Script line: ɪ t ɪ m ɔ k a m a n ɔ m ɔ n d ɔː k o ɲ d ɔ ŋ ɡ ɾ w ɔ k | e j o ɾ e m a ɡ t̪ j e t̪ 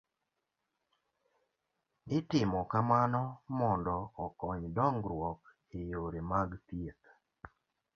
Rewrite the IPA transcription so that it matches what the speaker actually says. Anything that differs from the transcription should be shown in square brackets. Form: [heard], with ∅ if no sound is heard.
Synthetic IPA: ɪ t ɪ m ɔ k a m a n ɔ m ɔ n d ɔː k [ɔ] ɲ d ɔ ŋ ɡ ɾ w ɔ k | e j o ɾ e m a ɡ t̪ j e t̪